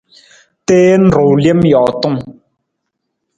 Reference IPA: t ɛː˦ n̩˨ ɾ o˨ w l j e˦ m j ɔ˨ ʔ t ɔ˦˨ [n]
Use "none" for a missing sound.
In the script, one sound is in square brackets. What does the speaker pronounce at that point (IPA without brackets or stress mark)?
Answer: ŋ